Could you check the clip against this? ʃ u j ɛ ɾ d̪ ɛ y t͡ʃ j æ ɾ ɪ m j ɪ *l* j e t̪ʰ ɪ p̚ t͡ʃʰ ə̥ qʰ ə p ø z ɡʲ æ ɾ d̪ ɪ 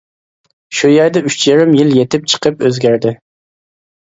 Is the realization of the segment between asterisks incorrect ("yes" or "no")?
no